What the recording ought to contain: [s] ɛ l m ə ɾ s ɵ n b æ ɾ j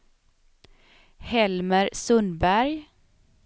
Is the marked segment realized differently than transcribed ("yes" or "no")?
yes